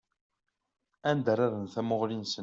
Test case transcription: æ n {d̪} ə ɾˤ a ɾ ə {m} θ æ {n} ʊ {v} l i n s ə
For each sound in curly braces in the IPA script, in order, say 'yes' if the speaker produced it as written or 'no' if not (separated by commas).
yes, no, no, no